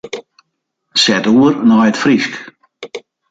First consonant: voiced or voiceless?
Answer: voiceless